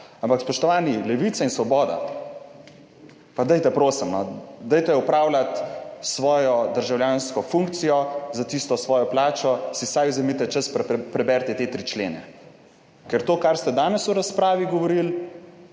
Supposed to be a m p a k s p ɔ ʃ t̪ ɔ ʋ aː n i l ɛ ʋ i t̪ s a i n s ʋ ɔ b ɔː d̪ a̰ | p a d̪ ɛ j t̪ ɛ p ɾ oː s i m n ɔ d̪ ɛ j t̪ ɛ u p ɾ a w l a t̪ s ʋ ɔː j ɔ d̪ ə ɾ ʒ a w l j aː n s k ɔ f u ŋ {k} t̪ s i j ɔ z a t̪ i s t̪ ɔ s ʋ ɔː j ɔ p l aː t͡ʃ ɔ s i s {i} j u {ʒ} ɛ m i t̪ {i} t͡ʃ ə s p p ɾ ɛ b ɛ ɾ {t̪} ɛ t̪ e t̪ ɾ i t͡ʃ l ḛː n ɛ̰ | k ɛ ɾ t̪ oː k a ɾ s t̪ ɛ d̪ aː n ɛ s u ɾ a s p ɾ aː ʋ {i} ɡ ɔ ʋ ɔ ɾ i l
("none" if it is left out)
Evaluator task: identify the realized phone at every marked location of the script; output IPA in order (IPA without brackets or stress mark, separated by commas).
k, a, z, ɛ, t̪, i